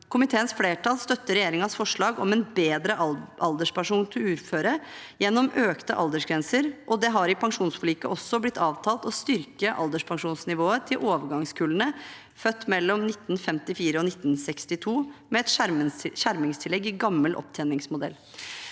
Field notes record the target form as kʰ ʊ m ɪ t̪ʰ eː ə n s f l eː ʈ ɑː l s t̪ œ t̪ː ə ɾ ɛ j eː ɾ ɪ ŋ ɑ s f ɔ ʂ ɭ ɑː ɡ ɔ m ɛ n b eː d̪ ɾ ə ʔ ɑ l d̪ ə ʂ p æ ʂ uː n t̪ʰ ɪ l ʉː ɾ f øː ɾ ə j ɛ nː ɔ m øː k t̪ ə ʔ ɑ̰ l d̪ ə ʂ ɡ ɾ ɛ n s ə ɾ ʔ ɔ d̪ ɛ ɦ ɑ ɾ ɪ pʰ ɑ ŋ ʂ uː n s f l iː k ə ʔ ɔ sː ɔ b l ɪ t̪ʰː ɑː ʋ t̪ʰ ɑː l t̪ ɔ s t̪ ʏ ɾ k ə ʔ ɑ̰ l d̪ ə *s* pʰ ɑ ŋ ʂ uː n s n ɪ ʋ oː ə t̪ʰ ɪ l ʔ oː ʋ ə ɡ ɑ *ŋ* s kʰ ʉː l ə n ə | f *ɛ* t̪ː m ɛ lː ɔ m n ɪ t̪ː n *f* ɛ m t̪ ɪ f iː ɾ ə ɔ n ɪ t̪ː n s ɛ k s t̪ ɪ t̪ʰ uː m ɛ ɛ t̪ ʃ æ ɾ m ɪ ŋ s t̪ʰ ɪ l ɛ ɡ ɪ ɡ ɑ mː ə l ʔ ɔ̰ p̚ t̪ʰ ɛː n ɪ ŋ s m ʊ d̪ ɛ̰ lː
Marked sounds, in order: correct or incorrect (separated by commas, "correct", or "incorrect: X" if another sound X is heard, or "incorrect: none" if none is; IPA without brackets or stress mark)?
incorrect: ʂ, correct, incorrect: œ, correct